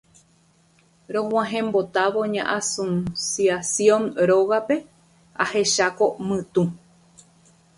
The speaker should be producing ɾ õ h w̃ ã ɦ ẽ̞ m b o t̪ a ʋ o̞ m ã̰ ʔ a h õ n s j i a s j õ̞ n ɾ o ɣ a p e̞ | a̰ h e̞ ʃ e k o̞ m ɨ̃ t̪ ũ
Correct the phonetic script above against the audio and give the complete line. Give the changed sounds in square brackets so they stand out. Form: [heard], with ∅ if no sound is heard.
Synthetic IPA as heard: ɾ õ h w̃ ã ɦ ẽ̞ m b o t̪ a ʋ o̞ [ɲ] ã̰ ʔ a [s] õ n s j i a s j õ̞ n ɾ o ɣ a p e̞ | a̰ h e̞ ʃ [a] k o̞ m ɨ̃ t̪ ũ

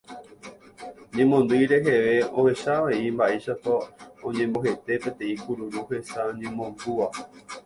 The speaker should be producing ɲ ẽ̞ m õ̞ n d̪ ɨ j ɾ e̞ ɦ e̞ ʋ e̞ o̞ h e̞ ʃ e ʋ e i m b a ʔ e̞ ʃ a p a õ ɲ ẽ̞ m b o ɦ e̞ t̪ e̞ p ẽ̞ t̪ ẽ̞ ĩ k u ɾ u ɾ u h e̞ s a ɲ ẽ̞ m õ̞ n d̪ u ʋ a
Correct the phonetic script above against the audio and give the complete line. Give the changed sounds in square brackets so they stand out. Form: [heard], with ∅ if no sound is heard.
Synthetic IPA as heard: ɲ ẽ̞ m õ̞ n d̪ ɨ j ɾ e̞ ɦ e̞ ʋ e̞ o̞ h e̞ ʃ [a] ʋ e i m b a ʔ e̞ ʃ a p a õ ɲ ẽ̞ m b o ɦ e̞ t̪ e̞ p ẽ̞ t̪ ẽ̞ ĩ k u ɾ u ɾ u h e̞ s a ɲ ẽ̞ m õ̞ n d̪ u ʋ a

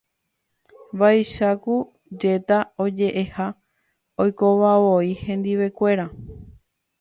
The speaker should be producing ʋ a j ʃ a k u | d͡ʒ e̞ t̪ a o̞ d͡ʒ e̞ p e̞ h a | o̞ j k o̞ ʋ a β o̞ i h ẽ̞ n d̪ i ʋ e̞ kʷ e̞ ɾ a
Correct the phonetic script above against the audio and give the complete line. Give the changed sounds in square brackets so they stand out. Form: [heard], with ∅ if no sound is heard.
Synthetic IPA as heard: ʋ a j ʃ a k u | d͡ʒ e̞ t̪ a o̞ d͡ʒ e̞ [ʔ] e̞ h a | o̞ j k o̞ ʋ a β o̞ i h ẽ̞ n d̪ i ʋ e̞ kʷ e̞ ɾ a

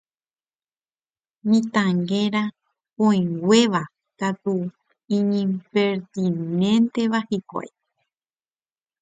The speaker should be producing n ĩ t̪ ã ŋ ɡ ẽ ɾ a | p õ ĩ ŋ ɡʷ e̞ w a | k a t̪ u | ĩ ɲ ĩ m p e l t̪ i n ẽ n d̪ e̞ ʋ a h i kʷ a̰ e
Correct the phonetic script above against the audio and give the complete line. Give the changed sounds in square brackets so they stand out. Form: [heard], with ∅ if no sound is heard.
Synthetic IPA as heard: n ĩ t̪ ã ŋ ɡ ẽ ɾ a | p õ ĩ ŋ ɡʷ e̞ [ʋ] a | k a t̪ u | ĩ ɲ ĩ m p e [ɾ] t̪ i n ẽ n [t̪] e̞ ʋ a h i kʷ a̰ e

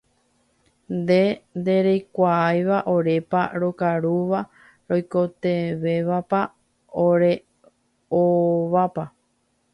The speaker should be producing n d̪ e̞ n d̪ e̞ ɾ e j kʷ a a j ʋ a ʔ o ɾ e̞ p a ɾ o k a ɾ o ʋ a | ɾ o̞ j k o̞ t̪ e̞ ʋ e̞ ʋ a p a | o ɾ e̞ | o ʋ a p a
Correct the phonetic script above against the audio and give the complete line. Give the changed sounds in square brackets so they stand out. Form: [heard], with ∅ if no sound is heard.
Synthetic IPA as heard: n d̪ e̞ n d̪ e̞ ɾ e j kʷ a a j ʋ a ʔ o ɾ e̞ p a ɾ o k a ɾ [u] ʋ a | ɾ o̞ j k o̞ t̪ e̞ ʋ e̞ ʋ a p a | o ɾ e̞ | o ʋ a p a

